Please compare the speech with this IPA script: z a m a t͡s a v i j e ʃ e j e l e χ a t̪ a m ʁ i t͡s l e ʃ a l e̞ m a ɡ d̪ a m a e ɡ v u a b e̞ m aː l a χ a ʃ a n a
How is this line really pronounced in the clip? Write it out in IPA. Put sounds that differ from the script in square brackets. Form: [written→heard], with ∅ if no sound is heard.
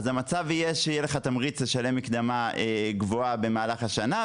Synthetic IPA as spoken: z a m a t͡s a v i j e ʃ e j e l e χ a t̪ a m ʁ i t͡s l e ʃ a l e̞ m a [ɡ→k] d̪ a m a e ɡ v [u→o] a b e̞ m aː l a χ a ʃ a n a